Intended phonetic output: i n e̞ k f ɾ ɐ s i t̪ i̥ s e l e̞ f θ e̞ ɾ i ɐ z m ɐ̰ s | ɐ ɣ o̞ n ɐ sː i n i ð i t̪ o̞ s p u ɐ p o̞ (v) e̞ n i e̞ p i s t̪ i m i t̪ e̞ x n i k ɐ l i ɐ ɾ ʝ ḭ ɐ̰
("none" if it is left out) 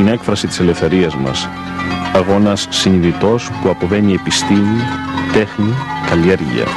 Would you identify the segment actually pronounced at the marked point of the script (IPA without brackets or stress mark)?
v